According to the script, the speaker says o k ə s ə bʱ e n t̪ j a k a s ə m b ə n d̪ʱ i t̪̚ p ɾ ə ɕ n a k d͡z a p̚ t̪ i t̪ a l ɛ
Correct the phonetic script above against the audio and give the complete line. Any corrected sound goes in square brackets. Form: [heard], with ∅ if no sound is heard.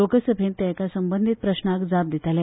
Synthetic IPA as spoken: o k ə s ə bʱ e n t̪ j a k a s ə m b ə n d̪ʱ i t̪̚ p ɾ ə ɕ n a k d͡z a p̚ [d̪] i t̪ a l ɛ